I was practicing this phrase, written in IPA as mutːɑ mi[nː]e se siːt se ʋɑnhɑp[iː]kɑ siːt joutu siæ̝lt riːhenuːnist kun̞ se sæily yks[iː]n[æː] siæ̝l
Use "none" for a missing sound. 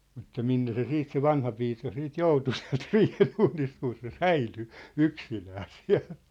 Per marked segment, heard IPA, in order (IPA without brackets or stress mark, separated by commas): nː, iː, i, æː